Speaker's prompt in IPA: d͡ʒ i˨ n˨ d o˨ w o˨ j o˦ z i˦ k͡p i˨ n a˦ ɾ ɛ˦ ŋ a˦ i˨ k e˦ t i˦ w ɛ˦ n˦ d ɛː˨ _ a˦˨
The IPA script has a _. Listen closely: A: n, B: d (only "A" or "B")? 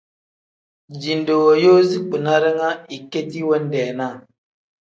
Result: A